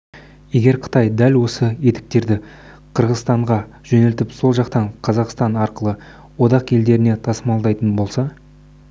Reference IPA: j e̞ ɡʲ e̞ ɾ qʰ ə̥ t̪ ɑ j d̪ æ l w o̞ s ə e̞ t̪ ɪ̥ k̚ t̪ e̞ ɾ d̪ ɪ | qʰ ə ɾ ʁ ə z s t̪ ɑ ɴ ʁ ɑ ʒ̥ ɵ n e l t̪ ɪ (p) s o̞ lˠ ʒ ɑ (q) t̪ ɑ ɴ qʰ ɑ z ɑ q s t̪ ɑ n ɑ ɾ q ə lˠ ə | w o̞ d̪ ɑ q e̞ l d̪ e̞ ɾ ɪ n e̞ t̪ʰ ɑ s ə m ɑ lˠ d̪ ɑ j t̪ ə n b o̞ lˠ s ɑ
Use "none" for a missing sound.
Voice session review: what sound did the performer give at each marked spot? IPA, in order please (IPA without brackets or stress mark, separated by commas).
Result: p, q